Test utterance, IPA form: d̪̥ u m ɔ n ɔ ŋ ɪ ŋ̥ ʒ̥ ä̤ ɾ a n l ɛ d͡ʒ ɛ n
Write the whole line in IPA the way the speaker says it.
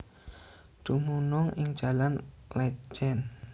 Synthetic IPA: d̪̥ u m u n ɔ ŋ ɪ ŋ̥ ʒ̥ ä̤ l a n l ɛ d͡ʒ ɛ n